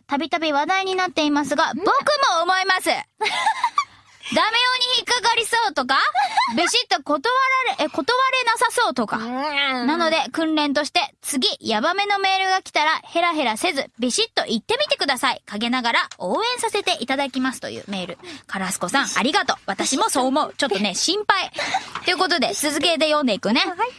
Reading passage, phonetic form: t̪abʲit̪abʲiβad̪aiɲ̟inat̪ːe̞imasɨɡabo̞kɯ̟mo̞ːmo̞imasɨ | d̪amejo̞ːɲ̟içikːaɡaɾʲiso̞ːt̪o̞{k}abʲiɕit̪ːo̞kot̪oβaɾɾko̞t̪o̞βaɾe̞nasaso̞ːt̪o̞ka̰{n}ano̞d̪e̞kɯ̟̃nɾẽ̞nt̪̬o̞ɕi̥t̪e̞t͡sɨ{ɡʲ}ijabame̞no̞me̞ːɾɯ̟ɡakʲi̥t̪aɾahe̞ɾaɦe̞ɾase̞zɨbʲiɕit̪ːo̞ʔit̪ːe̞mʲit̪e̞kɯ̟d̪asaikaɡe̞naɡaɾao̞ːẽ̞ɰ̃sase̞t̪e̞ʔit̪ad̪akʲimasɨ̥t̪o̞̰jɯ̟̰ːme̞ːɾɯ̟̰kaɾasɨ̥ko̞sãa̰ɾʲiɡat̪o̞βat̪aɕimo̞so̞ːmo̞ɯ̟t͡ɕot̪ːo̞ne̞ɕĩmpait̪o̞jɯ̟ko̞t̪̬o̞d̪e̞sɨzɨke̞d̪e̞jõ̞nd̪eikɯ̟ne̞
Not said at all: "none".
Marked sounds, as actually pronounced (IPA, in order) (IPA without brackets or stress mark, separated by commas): k, n, ɡʲ